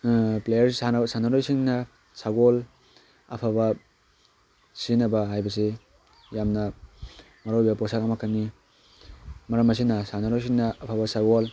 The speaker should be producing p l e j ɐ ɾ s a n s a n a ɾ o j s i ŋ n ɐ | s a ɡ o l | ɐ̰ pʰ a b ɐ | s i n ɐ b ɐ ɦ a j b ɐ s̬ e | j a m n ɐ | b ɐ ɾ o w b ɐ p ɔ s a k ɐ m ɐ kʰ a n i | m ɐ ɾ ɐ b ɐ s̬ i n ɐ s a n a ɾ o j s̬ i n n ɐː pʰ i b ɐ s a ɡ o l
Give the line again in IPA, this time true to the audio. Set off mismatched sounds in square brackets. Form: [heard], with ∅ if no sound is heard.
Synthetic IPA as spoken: p l e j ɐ ɾ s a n s a n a ɾ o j s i ŋ n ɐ | s a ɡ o l | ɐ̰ pʰ a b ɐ | s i n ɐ b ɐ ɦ a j b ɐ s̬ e | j a m n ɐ | [m] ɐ ɾ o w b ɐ p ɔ s a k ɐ m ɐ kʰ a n i | m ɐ ɾ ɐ [m] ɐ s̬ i n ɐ s a n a ɾ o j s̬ i [ŋ] n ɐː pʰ [a] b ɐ s a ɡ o l

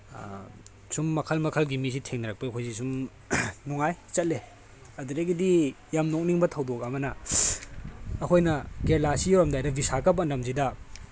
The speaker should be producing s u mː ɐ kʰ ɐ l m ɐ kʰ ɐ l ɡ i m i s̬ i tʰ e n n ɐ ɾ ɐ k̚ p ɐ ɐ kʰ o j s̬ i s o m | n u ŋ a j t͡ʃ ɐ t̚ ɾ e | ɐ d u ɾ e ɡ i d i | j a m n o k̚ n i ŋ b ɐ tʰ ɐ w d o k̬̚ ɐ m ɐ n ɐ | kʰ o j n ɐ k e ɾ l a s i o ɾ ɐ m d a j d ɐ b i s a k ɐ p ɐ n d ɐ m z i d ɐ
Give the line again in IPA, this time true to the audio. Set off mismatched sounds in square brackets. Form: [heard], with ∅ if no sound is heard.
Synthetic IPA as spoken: s u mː ɐ kʰ ɐ l m ɐ kʰ ɐ l ɡ i m i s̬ i tʰ e [ŋ] n ɐ ɾ ɐ k̚ p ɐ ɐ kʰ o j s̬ i s [u] m | n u ŋ a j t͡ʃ ɐ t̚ [l] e | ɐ d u ɾ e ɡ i d i | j a m n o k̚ n i ŋ b ɐ tʰ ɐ w d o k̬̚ ɐ m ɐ n ɐ | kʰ o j n ɐ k e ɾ l a s i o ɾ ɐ m d a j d ɐ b i s a k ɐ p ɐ n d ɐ m z i d ɐ

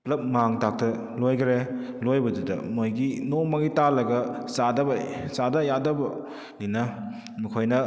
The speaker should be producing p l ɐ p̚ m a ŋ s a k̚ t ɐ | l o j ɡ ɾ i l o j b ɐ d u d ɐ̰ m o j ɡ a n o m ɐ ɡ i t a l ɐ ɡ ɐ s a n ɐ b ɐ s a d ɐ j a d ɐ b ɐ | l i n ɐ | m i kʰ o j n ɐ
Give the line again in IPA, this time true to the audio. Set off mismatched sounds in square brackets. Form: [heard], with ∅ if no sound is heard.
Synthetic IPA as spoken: p l ɐ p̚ m a ŋ [t] a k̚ t ɐ | l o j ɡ ɾ [e] l o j b ɐ d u d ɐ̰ m o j ɡ [i] n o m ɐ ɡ i t a l ɐ ɡ ɐ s a [d] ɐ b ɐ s a d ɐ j a d ɐ b ɐ | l i n ɐ | m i kʰ o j n ɐ

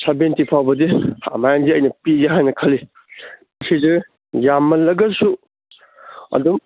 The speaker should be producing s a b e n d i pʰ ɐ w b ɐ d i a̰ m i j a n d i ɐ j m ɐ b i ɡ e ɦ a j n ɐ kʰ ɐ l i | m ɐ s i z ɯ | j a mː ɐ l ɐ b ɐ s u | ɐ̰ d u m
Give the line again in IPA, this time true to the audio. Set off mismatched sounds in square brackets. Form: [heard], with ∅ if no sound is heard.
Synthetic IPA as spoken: s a b e n [t] i pʰ [a] w b ɐ d i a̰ m [a] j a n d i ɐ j [n] ɐ [p] i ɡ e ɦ a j n ɐ kʰ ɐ l i | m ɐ s i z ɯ | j a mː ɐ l ɐ [ɡ] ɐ s u | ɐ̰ d u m

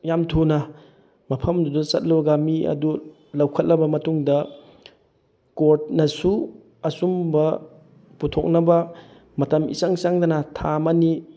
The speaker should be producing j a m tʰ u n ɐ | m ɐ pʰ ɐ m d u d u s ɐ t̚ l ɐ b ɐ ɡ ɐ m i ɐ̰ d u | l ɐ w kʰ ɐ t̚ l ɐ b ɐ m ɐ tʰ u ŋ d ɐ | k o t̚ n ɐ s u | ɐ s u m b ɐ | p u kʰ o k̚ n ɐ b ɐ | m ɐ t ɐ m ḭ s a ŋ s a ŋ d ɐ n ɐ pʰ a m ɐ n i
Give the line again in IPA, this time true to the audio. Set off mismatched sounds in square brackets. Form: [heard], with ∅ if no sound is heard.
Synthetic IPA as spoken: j a m tʰ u n ɐ | m ɐ pʰ ɐ m d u d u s ɐ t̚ l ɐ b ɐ ɡ [a] m i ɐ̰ d u | l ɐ w kʰ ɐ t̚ l ɐ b ɐ m ɐ [t] u ŋ d ɐ | k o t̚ n ɐ s u | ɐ s u m b ɐ | p u [tʰ] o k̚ n ɐ b ɐ | m ɐ t ɐ m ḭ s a ŋ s a ŋ d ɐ n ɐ [tʰ] a m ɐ n i

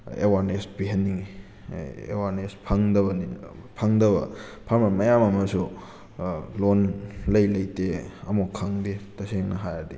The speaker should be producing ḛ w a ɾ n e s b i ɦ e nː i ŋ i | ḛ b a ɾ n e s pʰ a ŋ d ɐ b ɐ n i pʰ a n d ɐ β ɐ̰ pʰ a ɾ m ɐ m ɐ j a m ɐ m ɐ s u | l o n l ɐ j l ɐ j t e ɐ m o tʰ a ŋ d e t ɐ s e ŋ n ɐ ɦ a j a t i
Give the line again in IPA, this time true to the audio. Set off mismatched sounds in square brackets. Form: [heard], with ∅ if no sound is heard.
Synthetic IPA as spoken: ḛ w a ɾ n e s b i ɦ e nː i ŋ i | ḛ [w] a ɾ n e s pʰ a ŋ d ɐ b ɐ n i pʰ a [ŋ] d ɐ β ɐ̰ pʰ a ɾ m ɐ m ɐ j a m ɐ m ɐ s u | l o n l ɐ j l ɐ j t e ɐ m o [kʰ] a ŋ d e t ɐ s e ŋ n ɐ ɦ a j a [d] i

